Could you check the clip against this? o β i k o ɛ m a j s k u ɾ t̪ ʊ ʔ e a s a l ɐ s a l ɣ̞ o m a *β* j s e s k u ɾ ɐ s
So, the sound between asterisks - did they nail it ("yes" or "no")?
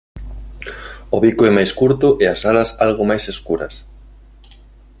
no